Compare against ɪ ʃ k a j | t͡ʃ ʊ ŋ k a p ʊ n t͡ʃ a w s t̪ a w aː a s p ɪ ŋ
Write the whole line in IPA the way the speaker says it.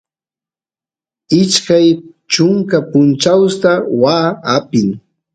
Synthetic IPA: ɪ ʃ k a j | t͡ʃ ʊ ŋ k a p ʊ n t͡ʃ a w s t̪ a w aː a p ɪ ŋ